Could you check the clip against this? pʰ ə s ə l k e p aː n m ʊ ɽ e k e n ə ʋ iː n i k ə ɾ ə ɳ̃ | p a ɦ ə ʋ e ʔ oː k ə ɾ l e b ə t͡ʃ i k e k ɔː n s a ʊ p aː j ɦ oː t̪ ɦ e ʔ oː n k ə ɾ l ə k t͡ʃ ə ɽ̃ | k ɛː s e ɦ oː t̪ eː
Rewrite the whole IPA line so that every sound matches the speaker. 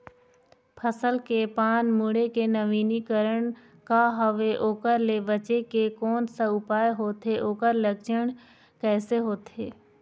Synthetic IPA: pʰ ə s ə l k e p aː n m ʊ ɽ e k e n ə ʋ iː n i k ə ɾ ə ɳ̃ | k a ɦ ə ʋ e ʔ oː k ə ɾ l e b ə t͡ʃ e k e k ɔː n s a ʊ p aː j ɦ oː t̪ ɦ e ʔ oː k ə ɾ l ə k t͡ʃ ə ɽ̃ | k ɛː s e ɦ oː t̪ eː